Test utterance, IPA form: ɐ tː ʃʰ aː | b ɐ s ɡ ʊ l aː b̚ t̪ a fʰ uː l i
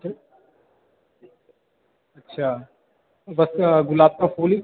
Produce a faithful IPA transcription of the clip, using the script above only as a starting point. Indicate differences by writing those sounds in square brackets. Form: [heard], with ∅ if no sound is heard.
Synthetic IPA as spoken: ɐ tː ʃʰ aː | b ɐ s ɡ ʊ l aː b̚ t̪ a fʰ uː l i